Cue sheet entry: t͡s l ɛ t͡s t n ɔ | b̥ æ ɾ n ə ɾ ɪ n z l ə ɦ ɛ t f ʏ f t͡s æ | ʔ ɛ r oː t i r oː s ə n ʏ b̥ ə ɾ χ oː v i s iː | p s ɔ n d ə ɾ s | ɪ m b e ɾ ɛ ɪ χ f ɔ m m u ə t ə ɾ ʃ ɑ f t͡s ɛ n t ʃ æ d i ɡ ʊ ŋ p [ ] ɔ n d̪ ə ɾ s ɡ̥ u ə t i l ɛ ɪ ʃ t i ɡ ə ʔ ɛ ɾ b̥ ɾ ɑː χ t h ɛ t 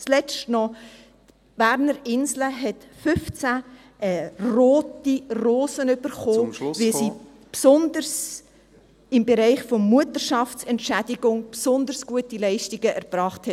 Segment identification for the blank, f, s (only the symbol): s